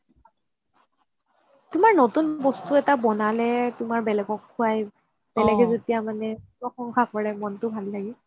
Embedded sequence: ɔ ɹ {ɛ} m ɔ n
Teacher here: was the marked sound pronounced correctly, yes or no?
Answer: yes